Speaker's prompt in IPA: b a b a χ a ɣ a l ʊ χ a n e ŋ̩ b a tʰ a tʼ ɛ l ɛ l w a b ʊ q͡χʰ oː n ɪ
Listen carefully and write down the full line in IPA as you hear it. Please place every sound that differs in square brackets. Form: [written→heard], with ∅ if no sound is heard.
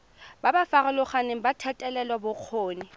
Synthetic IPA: b a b a [χ→f] a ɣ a l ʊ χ a n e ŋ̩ b a tʰ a tʼ ɛ l ɛ l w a b ʊ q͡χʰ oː n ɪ